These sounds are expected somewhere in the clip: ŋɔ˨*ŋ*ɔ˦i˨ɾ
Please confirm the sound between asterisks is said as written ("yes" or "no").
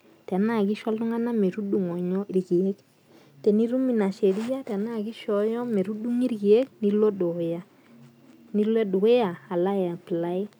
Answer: no